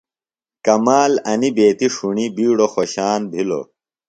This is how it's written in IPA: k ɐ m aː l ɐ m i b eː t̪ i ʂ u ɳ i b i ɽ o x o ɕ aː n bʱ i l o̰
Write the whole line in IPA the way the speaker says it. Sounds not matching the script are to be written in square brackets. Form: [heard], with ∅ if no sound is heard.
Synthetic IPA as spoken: k ɐ m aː l ɐ [n] i b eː t̪ i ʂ u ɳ i b [iː] ɽ o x o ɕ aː n bʱ i l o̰